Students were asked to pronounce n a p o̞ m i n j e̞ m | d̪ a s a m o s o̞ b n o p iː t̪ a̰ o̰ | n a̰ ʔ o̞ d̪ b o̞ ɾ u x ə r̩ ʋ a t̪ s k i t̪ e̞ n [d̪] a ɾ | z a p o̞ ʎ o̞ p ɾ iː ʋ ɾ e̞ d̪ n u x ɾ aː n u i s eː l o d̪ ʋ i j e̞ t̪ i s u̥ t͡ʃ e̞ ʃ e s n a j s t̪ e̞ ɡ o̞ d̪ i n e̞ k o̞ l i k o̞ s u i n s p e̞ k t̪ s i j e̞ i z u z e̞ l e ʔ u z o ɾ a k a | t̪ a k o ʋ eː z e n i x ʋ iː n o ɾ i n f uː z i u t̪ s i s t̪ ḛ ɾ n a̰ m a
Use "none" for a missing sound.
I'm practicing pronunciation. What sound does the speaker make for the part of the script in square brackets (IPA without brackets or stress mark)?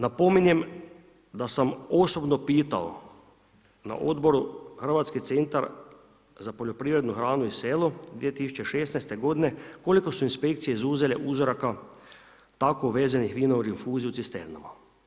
t̪